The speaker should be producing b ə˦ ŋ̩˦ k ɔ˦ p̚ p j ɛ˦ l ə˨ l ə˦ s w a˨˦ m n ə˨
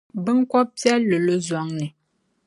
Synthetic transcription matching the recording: b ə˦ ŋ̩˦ k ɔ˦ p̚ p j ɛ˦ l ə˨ l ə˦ z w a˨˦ ŋ n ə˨